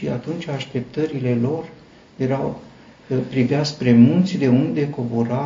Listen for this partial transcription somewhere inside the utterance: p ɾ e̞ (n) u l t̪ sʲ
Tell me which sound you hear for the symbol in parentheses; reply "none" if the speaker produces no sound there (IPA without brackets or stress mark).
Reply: m